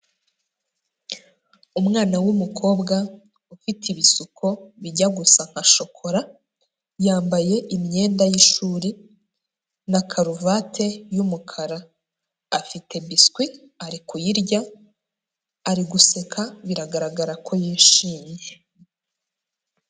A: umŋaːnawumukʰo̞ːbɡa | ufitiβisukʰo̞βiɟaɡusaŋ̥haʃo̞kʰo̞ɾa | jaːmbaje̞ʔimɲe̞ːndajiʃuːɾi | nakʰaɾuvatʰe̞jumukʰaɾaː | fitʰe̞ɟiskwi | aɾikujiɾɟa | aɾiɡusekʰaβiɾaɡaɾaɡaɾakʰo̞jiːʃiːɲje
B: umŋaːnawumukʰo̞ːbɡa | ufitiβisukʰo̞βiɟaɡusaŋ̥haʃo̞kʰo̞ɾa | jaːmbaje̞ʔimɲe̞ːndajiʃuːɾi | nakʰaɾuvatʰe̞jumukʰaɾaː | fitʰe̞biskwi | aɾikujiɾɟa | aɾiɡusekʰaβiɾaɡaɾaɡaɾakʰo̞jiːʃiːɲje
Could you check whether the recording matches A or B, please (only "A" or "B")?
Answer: B